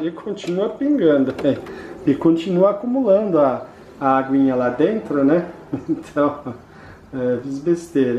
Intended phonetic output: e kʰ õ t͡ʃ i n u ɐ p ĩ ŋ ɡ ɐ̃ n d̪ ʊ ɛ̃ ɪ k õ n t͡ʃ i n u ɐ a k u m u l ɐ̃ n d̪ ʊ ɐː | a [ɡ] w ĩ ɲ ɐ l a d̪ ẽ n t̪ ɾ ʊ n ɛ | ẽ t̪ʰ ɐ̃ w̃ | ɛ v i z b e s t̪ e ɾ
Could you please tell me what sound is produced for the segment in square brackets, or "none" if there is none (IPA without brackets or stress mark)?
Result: ɡ